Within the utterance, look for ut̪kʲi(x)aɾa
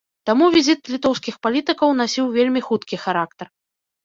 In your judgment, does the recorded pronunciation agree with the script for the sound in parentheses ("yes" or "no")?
yes